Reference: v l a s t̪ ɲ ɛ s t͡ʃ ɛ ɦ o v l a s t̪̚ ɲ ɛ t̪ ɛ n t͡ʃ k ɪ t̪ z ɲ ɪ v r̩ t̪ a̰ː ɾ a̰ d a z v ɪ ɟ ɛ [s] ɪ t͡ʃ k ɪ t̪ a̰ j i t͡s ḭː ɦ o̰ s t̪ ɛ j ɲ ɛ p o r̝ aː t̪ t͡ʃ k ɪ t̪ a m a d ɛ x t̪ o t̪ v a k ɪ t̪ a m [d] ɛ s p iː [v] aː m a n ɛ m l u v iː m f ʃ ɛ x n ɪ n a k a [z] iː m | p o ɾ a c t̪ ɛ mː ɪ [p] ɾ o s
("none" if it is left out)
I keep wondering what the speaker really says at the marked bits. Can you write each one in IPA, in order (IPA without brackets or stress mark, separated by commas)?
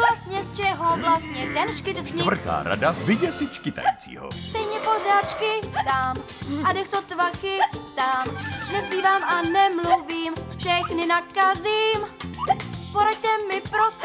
s, n, v, z, p